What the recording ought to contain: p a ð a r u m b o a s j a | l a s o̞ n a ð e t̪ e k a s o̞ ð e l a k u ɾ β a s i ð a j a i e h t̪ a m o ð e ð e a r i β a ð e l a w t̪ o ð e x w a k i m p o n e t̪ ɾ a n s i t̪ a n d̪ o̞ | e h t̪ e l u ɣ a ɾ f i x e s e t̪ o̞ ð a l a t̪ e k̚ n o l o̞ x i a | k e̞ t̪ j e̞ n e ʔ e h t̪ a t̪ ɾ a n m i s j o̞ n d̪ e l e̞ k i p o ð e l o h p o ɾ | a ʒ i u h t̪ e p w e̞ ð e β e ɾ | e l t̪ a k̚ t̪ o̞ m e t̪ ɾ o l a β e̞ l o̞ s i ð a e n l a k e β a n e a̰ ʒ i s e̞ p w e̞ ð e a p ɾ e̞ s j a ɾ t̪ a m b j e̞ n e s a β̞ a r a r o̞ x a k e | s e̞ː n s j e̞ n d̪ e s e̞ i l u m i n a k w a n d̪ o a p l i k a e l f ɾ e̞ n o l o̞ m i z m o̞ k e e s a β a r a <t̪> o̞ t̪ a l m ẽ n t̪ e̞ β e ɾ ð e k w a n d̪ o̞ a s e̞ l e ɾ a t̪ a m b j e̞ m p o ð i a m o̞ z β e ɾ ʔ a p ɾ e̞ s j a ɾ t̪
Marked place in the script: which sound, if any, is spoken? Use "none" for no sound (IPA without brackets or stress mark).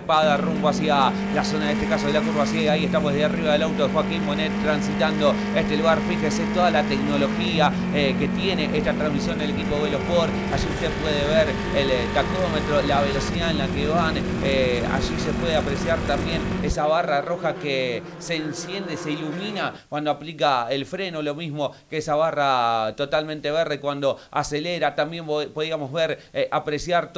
t̪